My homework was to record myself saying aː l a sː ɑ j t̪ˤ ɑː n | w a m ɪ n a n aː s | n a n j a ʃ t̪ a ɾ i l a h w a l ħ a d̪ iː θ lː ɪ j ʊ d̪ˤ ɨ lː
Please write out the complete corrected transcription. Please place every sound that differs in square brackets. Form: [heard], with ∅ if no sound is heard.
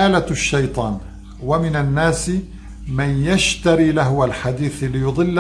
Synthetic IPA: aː l a [ʃː] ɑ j t̪ˤ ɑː n | w a m ɪ n a [nː] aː s | [m] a n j a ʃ t̪ a ɾ i l a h w a l ħ a d̪ iː θ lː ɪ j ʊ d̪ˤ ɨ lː